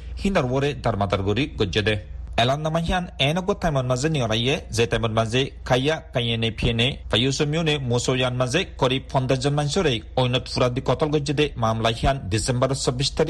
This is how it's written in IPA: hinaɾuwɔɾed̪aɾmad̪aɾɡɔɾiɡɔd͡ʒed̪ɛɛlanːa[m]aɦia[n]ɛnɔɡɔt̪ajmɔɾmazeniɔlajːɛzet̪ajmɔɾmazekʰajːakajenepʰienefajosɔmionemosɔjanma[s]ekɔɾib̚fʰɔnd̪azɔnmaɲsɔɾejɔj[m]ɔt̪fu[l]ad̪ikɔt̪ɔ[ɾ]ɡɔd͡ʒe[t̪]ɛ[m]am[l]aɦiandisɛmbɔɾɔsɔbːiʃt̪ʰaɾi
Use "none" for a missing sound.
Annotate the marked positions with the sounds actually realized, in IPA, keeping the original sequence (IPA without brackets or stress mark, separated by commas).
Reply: m, n, z, n, ɾ, l, d̪, m, l